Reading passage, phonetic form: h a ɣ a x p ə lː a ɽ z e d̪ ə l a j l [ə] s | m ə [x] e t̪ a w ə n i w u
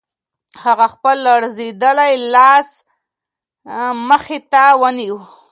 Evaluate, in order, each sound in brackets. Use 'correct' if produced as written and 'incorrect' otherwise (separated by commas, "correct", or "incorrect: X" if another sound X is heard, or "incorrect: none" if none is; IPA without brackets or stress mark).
incorrect: ɑ, correct